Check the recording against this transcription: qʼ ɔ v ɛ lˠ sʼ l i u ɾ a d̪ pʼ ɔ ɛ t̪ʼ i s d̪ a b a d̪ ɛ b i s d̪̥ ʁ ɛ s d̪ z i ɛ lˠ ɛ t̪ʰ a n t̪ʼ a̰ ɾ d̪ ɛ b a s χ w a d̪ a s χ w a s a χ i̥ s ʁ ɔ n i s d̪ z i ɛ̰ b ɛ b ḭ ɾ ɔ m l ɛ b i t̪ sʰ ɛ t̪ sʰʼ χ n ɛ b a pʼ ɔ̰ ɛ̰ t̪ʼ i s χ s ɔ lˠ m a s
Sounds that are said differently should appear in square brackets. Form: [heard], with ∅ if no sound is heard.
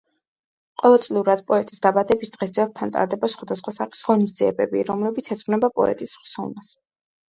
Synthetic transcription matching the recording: qʼ ɔ v ɛ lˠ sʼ l i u ɾ a d̪ pʼ ɔ ɛ t̪ʼ i s d̪ a b a d̪ ɛ b i s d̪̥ ʁ ɛ s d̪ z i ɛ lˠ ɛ t̪ʰ a n t̪ʼ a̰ ɾ d̪ ɛ b a s χ w a d̪ a s χ w a s a χ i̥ s ʁ ɔ n i s d̪ z i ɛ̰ b ɛ b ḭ ɾ ɔ m l ɛ b i t̪ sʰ ɛ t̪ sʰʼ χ n ɛ b a pʼ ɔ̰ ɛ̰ t̪ʼ i s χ s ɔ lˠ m a s